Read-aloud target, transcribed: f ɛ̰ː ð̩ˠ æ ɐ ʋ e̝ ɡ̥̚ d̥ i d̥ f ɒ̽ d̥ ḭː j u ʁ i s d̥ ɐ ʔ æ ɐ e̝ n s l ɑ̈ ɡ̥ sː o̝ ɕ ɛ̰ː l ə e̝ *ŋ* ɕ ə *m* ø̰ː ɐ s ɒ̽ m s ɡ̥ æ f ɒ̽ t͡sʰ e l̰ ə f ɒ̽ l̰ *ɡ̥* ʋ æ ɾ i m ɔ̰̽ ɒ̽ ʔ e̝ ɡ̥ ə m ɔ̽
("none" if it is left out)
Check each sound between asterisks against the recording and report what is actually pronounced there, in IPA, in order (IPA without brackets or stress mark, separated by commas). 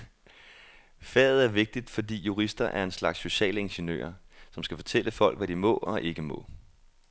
n, n, ɡ̥